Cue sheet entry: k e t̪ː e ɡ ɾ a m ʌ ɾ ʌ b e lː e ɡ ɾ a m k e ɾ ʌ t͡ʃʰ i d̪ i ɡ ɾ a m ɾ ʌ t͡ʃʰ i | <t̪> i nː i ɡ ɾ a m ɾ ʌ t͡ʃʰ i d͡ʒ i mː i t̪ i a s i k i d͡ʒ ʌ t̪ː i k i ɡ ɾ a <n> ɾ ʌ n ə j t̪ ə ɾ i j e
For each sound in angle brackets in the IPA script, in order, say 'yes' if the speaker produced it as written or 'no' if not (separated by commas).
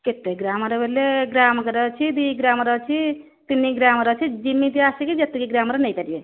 yes, no